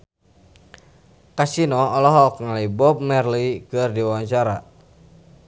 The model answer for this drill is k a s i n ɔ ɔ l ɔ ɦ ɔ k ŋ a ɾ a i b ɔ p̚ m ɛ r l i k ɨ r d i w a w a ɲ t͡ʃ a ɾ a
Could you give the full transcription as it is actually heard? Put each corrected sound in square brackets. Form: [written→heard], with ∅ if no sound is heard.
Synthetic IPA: k a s i n ɔ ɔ l ɔ ɦ ɔ k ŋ a [ɾ→l] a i b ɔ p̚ m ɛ r l i k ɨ r d i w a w a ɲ t͡ʃ a ɾ a